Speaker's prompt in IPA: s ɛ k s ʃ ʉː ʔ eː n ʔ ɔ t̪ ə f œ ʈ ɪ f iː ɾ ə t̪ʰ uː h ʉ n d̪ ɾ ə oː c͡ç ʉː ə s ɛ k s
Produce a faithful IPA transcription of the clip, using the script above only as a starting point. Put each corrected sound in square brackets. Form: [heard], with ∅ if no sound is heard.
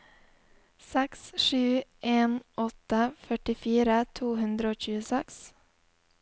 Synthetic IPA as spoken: s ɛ k s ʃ ʉː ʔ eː n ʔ ɔ t̪ ə f œ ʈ ɪ f iː ɾ ə t̪ʰ uː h ʉ n d̪ ɾ ə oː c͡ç ʉː ə s ɛ k s